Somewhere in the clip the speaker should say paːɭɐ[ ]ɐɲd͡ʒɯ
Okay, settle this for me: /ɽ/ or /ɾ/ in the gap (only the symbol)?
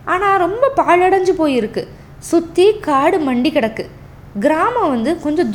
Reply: ɽ